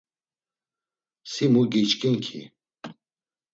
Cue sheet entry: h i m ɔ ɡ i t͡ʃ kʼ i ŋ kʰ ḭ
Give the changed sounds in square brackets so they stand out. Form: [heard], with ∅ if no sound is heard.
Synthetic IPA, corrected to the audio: [s] i m [u] ɡ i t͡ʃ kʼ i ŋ kʰ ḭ